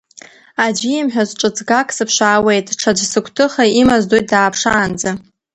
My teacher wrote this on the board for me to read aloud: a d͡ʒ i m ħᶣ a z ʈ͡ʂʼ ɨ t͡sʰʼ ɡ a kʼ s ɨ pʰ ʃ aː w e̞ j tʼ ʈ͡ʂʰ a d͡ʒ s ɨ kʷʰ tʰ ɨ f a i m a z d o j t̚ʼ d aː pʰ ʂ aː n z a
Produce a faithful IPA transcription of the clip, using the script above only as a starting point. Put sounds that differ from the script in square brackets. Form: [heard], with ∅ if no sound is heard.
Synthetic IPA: a d͡ʒ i m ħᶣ a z ʈ͡ʂʼ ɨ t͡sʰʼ ɡ a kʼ s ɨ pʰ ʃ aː w e̞ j tʼ ʈ͡ʂʰ a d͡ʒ s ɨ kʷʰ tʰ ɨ [χ] a i m a z d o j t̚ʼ d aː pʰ ʂ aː n [d͡z] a